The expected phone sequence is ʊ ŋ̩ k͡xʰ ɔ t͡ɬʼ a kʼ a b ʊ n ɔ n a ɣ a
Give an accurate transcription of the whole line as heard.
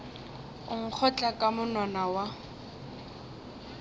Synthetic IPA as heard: ʊ ŋ̩ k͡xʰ ɔ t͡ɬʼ a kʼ a m ʊ n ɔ n a w a